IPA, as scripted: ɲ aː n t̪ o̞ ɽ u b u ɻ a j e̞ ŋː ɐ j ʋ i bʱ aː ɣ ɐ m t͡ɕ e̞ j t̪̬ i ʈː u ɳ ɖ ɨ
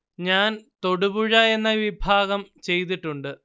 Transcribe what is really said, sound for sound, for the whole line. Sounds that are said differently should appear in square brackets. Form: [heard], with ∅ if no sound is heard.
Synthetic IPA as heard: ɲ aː n t̪ o̞ ɽ u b u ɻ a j e̞ [nː] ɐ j ʋ i bʱ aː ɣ ɐ m t͡ɕ e̞ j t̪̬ i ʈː u ɳ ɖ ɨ